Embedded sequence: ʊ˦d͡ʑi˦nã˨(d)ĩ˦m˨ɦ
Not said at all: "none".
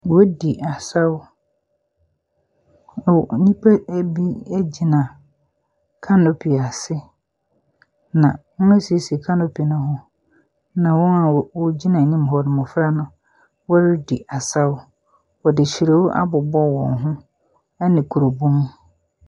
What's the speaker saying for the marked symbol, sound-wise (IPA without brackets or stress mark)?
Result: n